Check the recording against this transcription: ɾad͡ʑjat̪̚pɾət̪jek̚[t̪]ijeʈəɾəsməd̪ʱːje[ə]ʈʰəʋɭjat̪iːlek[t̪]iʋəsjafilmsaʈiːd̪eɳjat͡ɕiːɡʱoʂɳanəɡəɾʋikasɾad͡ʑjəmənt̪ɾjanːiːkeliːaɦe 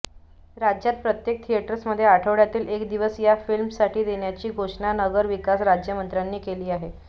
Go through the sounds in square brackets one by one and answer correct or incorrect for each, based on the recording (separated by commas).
incorrect, incorrect, incorrect